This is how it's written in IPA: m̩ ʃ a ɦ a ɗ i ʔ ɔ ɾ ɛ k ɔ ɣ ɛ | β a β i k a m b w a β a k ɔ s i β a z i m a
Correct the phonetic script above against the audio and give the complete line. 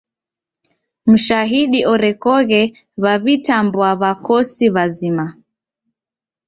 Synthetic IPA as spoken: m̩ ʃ a ɦ i ɗ i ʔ ɔ ɾ ɛ k ɔ ɣ ɛ | β a β i t a m b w a β a k ɔ s i β a z i m a